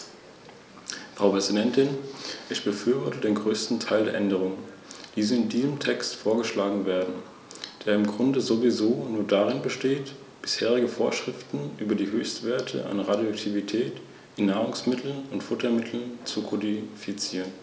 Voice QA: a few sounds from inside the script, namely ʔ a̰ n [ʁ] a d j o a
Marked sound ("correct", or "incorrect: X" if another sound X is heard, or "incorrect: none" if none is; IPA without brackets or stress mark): correct